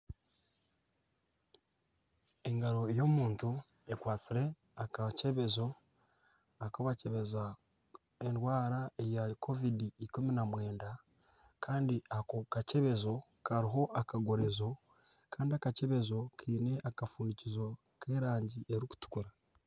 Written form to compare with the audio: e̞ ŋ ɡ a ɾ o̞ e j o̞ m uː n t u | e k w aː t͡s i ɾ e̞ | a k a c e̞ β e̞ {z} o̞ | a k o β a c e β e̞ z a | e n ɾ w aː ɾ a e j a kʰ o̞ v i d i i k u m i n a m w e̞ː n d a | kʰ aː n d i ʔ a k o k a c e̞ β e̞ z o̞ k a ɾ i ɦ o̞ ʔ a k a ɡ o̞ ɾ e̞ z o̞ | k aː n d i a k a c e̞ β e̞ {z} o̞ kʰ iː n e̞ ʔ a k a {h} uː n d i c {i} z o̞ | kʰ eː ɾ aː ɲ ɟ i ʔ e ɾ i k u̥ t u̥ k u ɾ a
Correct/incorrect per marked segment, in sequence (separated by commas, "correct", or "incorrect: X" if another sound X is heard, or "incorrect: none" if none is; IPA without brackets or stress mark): correct, correct, incorrect: f, correct